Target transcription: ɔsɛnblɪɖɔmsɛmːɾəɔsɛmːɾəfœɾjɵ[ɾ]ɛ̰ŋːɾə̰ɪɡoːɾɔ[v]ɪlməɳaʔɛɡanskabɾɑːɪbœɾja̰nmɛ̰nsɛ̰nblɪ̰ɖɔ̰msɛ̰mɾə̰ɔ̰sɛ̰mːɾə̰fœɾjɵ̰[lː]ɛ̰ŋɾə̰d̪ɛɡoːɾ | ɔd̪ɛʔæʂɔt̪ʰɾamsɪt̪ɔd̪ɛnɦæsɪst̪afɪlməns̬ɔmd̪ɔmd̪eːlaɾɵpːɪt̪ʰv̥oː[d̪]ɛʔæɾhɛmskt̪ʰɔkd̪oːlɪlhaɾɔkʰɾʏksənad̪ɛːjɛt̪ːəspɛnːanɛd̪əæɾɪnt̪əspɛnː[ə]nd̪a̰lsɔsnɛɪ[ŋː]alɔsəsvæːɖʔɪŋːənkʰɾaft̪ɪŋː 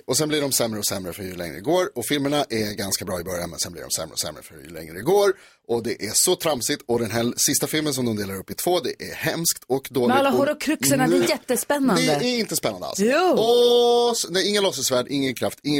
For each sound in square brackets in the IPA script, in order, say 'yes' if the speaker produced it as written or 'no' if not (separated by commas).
no, no, no, yes, no, yes